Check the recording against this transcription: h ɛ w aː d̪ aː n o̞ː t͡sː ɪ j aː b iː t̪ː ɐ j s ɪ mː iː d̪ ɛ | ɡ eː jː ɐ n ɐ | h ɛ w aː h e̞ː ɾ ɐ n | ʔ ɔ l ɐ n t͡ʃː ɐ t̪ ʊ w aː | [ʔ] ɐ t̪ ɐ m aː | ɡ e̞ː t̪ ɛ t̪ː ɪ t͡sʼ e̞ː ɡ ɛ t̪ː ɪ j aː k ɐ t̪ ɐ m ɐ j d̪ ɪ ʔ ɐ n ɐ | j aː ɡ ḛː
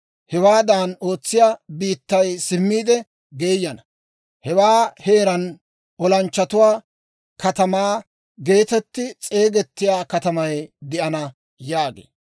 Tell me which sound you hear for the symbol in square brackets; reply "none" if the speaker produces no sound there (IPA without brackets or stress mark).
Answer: k